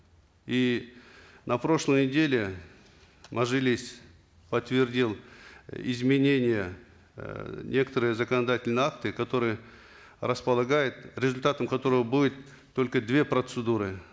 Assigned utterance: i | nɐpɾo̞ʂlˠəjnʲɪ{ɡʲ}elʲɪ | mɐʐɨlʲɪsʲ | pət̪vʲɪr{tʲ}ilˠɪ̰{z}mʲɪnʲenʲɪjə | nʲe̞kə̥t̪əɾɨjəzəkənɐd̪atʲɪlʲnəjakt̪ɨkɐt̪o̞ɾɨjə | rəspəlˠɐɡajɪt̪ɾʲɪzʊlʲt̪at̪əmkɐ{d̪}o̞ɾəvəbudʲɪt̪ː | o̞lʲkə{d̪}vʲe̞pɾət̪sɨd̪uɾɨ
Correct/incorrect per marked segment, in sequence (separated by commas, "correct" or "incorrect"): incorrect, incorrect, correct, incorrect, correct